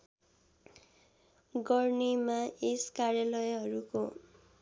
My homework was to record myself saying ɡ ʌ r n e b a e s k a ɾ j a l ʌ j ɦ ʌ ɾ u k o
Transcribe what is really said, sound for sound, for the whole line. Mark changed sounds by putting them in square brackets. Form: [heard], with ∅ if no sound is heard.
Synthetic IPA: ɡ ʌ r n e [m] a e s k a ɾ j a l ʌ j ɦ ʌ ɾ u k o